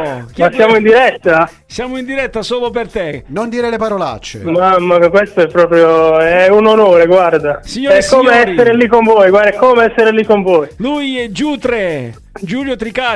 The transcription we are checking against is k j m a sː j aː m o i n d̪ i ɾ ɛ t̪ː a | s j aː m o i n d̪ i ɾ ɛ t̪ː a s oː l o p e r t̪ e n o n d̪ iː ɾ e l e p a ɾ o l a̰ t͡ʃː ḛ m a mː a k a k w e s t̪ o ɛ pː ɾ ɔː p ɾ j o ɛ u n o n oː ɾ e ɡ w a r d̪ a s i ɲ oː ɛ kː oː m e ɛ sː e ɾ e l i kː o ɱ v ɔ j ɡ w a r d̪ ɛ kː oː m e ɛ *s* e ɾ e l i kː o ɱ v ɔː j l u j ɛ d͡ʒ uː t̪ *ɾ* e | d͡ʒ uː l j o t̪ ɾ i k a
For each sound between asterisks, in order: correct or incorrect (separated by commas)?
incorrect, correct